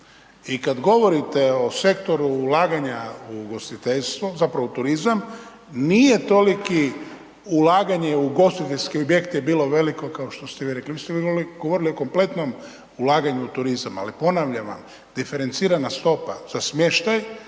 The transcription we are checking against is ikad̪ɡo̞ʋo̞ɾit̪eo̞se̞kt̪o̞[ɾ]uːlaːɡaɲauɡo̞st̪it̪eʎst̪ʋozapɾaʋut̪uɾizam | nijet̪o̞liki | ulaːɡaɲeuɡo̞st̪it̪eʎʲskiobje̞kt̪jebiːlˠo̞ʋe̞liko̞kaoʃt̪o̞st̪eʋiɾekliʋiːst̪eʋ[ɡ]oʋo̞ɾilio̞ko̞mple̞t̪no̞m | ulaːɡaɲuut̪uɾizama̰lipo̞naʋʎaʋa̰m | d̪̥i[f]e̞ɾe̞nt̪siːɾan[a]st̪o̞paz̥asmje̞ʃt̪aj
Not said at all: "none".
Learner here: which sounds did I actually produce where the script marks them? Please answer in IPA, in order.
ɾ, ɡ, f, a

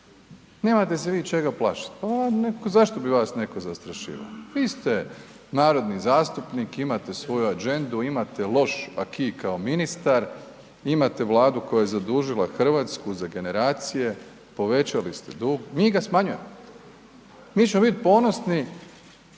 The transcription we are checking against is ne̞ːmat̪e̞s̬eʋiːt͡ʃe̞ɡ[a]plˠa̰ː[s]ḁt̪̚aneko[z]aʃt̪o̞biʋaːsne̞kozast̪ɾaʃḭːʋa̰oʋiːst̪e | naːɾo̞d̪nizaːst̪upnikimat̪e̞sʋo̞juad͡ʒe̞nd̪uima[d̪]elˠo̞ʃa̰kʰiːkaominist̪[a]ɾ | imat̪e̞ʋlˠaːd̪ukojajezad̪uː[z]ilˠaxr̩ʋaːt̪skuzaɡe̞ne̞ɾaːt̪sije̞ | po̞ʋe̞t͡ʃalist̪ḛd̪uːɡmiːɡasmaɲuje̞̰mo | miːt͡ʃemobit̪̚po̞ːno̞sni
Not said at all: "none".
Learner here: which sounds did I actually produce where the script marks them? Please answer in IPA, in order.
a, ʃ, z, t̪, a, ʒ

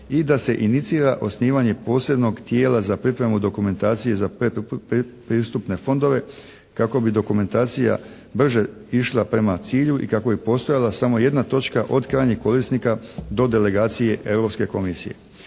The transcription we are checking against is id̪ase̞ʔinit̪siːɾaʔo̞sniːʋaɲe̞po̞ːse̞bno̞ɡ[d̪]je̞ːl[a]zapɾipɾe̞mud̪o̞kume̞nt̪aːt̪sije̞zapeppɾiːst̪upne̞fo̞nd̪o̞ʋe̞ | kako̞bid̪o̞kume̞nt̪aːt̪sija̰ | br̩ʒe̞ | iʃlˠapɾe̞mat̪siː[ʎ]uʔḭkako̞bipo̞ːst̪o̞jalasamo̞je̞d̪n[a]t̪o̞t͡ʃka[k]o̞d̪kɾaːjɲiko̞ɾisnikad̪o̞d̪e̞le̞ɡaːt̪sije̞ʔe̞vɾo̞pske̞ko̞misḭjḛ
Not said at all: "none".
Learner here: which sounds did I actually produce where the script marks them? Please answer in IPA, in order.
t̪, a, ʎ, a, ʔ

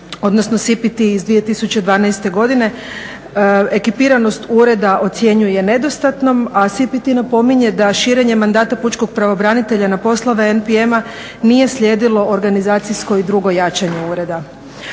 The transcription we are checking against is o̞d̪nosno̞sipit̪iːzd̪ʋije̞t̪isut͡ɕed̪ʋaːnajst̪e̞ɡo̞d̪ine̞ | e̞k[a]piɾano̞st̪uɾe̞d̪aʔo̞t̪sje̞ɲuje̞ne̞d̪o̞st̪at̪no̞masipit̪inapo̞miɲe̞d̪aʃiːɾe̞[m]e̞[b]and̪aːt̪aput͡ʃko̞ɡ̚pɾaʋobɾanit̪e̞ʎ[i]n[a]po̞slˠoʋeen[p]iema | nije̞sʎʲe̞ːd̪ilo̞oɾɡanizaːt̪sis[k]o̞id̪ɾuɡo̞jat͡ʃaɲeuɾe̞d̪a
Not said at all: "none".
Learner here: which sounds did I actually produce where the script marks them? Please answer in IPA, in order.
i, ɲ, m, a, a, p, k

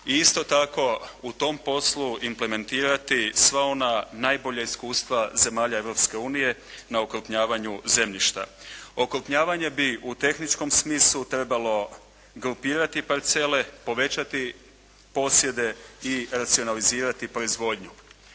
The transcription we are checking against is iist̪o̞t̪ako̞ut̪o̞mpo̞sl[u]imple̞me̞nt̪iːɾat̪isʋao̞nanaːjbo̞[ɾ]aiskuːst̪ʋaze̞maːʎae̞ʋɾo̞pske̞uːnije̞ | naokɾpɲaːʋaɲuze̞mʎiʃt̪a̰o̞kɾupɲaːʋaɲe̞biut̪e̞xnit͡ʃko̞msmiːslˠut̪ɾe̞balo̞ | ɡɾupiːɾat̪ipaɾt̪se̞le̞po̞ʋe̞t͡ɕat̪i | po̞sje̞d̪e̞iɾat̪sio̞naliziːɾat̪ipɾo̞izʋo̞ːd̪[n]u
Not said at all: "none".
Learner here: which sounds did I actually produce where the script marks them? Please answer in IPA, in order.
u, ʎ, ɲ

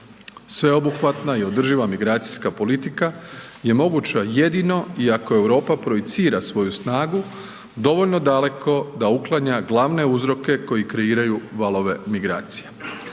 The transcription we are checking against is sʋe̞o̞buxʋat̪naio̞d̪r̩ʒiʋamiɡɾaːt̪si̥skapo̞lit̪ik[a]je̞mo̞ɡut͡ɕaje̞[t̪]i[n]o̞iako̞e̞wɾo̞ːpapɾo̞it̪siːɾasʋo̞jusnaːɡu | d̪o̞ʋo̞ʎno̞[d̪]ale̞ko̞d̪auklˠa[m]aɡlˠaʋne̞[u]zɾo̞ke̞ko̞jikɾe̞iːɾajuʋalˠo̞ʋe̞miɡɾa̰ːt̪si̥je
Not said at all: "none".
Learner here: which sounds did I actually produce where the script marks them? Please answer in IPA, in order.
a, d̪, n, d̪, ɲ, u

